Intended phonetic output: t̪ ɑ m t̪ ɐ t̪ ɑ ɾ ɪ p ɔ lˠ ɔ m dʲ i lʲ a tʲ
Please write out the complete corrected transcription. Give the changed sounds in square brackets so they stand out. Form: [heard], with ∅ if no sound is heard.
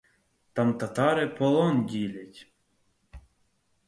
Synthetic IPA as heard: t̪ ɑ m t̪ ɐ t̪ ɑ ɾ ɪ p ɔ lˠ ɔ [n] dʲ i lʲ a tʲ